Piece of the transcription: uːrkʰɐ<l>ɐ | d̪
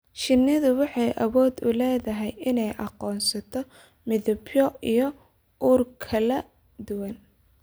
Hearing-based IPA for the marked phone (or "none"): l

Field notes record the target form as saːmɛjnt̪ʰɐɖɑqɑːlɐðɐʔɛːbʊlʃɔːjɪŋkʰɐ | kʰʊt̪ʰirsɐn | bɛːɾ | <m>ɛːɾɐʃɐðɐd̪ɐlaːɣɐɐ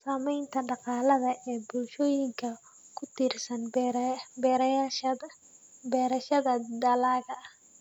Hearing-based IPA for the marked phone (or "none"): b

